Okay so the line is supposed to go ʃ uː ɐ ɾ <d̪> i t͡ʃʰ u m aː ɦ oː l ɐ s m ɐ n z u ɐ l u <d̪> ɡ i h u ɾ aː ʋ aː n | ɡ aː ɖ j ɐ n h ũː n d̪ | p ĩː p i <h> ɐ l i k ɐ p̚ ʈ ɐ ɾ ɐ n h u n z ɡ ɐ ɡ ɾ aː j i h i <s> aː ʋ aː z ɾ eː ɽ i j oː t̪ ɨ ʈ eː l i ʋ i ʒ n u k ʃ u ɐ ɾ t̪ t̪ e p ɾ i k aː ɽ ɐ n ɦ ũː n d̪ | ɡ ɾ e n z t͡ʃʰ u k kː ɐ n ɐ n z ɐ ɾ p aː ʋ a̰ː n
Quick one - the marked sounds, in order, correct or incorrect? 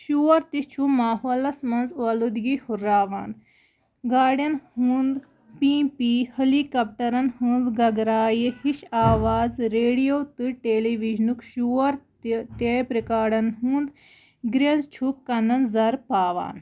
incorrect, correct, correct, incorrect

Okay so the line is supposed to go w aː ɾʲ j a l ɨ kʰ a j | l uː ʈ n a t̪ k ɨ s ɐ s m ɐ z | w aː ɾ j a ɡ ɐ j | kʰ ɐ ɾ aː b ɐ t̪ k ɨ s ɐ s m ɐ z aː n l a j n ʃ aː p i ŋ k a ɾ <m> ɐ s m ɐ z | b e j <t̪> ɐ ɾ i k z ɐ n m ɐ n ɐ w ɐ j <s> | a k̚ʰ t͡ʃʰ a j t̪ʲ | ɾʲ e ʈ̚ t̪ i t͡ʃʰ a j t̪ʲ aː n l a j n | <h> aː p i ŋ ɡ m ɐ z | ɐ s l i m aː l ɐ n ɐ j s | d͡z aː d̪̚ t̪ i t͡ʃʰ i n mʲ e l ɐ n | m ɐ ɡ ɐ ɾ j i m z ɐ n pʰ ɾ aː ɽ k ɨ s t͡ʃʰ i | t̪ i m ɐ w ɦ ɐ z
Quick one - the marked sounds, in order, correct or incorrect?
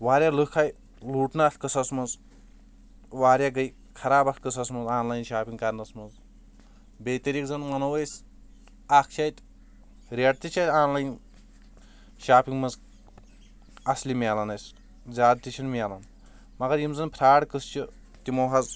incorrect, correct, correct, incorrect

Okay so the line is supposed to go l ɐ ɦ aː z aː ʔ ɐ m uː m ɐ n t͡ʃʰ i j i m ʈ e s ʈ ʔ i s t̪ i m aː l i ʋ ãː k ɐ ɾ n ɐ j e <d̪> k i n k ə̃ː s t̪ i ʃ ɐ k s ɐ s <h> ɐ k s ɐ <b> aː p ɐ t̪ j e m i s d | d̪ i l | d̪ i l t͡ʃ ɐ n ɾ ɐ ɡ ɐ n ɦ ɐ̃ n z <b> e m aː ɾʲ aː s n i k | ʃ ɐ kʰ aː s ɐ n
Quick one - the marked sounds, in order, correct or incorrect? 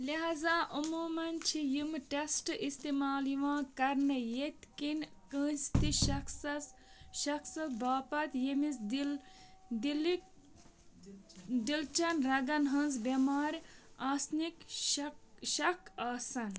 incorrect, incorrect, correct, correct

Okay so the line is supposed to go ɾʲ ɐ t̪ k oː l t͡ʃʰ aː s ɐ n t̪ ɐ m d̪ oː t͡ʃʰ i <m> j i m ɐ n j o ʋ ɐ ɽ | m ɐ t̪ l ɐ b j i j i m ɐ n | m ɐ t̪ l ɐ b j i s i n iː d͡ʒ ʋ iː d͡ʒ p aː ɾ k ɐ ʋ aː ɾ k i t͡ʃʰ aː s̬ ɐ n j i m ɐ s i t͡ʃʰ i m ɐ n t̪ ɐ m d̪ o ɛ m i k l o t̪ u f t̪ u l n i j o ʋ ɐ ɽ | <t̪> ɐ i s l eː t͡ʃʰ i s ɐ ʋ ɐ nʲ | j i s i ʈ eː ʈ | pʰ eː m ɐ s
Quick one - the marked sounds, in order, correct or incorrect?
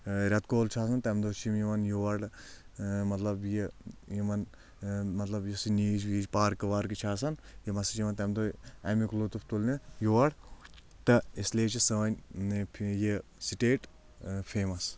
correct, correct

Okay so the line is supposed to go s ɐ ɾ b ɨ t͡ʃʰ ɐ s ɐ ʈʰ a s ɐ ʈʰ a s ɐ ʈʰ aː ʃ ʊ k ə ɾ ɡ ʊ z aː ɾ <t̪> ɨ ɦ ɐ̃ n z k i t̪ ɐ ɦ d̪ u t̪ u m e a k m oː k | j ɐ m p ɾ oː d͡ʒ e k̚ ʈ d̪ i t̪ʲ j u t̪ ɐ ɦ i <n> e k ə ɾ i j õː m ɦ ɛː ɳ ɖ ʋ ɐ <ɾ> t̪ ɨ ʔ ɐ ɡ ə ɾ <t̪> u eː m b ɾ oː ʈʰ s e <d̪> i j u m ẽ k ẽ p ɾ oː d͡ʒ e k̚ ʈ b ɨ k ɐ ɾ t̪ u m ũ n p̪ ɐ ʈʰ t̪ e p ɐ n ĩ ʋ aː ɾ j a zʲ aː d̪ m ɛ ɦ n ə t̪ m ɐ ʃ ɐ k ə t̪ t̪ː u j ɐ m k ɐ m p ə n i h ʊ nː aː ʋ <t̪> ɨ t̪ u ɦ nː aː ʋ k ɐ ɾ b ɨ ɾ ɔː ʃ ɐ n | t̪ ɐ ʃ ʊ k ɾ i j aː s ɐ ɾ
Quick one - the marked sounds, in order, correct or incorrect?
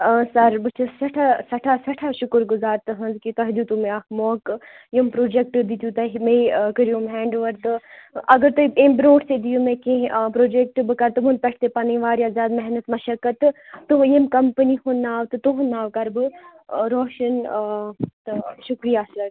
correct, incorrect, correct, correct, correct, correct

